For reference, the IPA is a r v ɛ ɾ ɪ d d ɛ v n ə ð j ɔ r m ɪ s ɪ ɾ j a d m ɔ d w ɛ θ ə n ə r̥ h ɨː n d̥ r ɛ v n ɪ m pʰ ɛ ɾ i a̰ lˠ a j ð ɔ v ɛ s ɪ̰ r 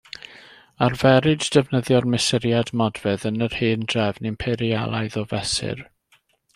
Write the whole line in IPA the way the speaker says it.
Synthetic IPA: a r v ɛ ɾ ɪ d d ɛ v n ə ð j ɔ r m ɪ s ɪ ɾ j a d m ɔ d v ɛ ð ə n ə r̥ h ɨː n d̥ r ɛ v n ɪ m pʰ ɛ ɾ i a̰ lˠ a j ð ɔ v ɛ s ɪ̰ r